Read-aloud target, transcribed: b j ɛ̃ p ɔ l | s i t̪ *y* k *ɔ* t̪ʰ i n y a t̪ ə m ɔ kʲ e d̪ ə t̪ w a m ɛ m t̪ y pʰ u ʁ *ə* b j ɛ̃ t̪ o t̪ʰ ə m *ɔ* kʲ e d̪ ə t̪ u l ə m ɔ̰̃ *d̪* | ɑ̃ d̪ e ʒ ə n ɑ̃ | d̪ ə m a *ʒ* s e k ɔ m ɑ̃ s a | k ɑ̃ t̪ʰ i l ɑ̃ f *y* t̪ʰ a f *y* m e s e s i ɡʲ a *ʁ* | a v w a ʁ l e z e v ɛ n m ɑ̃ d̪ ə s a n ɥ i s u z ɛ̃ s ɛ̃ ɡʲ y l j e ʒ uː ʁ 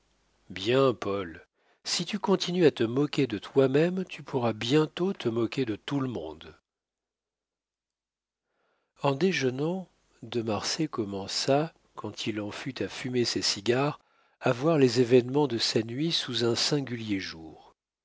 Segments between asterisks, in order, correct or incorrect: correct, incorrect: ɔ̃, incorrect: a, correct, correct, incorrect: ʁ, correct, correct, correct

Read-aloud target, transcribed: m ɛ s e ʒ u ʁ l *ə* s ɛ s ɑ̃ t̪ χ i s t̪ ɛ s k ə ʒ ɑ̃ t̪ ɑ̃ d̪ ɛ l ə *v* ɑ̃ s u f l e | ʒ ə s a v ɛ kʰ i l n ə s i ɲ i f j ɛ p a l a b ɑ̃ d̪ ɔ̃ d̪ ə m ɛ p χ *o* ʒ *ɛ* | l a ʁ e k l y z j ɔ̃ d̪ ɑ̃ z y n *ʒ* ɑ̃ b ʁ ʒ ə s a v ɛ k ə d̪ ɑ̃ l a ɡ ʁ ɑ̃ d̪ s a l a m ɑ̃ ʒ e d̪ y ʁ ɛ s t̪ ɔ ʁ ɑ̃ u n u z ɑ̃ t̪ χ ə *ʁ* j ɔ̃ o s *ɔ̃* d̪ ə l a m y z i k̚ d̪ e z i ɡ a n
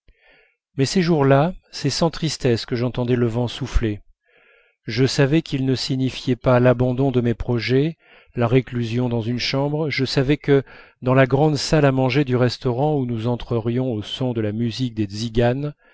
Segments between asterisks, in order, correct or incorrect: incorrect: a, correct, incorrect: ɔ, correct, incorrect: ʃ, correct, correct

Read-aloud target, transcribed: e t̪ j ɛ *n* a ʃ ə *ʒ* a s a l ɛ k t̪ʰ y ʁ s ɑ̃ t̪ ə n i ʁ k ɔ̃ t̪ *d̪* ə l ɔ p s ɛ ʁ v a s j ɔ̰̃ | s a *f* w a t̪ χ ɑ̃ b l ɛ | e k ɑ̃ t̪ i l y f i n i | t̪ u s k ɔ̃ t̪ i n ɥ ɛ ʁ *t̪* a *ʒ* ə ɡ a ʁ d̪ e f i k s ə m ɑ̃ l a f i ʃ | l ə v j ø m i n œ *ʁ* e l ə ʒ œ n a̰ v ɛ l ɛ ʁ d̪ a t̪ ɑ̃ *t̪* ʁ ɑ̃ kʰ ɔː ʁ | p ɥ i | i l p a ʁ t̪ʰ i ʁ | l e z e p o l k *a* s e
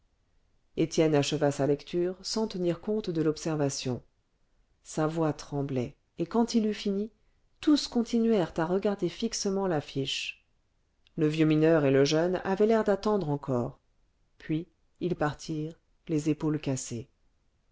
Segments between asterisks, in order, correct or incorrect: correct, incorrect: v, correct, incorrect: v, correct, incorrect: ʁ, correct, incorrect: d̪, correct

